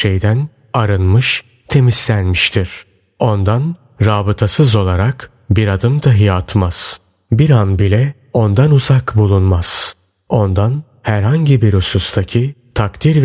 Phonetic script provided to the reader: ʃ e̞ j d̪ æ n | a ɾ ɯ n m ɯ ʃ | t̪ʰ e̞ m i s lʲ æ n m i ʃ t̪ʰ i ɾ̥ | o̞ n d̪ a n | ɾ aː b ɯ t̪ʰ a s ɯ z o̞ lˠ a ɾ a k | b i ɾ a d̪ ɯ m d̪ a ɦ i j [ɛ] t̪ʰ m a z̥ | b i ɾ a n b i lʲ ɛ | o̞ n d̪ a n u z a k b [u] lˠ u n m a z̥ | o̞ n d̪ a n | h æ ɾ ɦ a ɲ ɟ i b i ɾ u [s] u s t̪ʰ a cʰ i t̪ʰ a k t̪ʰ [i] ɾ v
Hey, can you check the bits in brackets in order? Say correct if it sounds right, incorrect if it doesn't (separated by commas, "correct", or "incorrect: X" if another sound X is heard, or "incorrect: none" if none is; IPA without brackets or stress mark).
incorrect: a, correct, correct, correct